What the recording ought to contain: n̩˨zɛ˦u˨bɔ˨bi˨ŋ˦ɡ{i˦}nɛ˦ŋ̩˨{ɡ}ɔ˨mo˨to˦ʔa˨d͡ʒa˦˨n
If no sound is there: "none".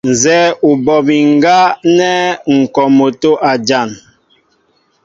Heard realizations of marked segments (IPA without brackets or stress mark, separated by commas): a˦, k